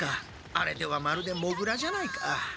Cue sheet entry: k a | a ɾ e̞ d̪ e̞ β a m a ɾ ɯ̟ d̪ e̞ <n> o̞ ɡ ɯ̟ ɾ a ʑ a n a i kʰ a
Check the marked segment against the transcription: incorrect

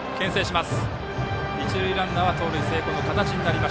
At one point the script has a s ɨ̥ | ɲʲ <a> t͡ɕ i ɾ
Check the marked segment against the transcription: incorrect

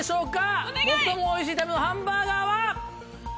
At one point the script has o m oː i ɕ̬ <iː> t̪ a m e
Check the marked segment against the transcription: correct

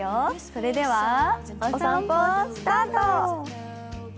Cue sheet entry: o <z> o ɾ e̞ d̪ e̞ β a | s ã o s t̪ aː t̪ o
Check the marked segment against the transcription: incorrect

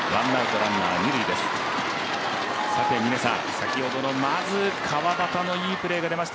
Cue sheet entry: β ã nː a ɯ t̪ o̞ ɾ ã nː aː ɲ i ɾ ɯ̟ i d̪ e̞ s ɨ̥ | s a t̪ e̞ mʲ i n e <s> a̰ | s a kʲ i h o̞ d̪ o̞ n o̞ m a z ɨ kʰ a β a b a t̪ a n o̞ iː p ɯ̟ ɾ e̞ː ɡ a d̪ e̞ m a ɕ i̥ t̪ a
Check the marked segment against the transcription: correct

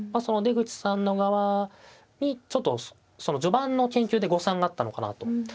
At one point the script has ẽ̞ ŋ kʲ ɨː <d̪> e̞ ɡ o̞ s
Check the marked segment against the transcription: correct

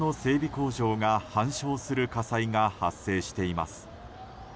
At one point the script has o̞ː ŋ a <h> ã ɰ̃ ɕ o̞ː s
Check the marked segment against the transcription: correct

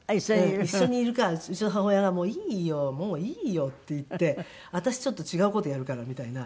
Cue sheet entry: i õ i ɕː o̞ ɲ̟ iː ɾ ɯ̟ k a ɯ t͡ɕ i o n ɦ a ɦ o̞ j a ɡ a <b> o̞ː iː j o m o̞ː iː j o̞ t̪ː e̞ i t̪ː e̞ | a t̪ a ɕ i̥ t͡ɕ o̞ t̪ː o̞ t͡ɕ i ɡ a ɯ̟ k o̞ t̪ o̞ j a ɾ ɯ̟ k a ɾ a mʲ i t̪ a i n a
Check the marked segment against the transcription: incorrect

